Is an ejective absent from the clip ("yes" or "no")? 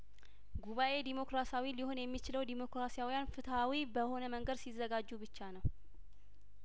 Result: yes